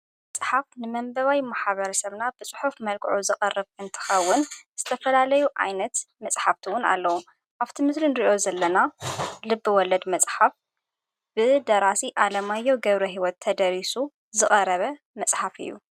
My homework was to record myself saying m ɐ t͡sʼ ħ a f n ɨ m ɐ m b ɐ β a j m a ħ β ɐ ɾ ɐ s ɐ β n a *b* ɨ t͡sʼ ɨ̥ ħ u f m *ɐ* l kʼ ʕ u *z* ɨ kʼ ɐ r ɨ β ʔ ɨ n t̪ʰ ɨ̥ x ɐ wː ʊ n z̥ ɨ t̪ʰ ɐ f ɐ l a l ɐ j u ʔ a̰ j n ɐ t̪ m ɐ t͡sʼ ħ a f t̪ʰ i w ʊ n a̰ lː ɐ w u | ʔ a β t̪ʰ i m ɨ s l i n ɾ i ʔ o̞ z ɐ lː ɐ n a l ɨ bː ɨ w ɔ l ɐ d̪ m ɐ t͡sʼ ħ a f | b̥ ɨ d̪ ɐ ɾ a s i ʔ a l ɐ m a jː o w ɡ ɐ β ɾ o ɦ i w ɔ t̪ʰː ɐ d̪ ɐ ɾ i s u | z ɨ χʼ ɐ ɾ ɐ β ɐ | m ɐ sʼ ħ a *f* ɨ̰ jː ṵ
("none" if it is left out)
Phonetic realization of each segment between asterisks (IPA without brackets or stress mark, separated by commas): b, ɐ, z, f